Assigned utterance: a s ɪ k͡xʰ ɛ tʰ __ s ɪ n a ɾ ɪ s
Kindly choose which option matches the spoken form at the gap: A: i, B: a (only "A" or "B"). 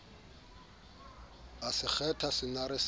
B